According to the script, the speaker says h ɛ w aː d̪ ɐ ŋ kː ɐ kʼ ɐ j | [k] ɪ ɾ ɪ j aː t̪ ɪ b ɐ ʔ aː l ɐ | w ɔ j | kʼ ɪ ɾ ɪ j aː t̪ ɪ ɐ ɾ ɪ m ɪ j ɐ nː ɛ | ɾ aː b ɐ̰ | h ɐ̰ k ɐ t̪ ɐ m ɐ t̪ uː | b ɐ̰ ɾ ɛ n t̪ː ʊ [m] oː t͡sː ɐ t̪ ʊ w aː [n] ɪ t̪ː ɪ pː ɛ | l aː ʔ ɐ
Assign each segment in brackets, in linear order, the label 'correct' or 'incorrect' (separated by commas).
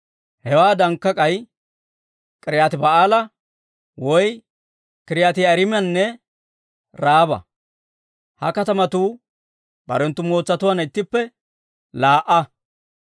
incorrect, correct, correct